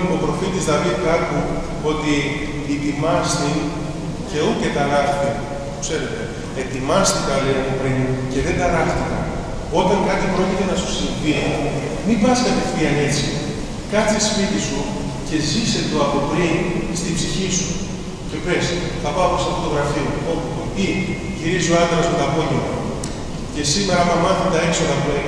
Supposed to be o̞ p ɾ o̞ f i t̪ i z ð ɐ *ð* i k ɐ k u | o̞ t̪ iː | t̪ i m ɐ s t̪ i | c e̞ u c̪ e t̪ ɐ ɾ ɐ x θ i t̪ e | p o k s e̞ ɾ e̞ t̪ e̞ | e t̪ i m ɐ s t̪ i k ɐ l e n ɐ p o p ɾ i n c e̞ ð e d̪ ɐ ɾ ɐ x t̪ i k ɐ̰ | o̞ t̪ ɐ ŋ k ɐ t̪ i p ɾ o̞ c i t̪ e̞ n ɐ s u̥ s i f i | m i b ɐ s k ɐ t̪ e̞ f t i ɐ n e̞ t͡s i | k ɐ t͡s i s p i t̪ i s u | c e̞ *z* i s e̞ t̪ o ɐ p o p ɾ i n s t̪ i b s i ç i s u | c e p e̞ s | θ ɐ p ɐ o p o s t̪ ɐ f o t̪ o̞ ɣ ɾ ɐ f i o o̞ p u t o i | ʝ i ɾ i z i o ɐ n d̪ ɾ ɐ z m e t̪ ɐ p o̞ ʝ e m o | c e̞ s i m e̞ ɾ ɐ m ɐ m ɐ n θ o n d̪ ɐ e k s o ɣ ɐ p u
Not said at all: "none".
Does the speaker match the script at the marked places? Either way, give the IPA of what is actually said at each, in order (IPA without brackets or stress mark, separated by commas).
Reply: v, z